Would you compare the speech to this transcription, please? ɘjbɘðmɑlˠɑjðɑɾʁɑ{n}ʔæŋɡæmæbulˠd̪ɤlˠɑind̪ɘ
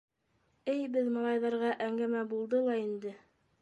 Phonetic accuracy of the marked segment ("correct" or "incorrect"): incorrect